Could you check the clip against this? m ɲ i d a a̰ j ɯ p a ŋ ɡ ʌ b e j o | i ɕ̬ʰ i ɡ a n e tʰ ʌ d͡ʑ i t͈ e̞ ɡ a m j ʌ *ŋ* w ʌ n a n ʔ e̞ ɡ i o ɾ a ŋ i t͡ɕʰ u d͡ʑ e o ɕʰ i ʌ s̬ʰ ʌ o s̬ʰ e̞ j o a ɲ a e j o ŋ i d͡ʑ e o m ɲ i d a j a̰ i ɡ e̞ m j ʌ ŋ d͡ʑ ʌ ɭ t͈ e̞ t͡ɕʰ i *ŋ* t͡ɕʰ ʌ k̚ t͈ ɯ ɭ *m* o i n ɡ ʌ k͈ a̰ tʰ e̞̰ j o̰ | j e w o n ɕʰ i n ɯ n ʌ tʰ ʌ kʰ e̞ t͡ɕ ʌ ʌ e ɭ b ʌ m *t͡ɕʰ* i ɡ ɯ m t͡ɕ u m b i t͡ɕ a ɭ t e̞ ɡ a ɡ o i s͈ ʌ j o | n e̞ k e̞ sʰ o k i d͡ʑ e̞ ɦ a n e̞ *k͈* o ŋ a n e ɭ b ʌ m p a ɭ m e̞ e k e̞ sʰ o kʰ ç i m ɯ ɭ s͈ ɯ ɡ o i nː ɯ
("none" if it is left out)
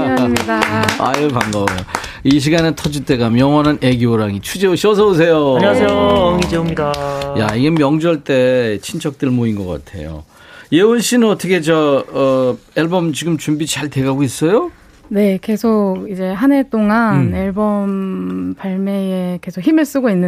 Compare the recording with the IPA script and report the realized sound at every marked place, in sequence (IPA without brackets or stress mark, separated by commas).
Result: ŋ, n, m, t͡ɕ, t͈